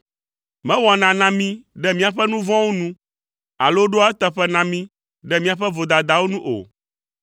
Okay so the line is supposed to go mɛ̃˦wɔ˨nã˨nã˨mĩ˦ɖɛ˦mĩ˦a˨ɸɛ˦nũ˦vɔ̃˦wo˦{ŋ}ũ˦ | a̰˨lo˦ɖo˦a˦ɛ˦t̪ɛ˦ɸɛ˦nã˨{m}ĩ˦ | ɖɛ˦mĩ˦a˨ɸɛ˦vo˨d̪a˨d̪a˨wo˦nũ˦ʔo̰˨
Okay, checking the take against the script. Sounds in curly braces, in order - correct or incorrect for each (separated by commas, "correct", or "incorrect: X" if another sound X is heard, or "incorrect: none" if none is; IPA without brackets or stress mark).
incorrect: n, correct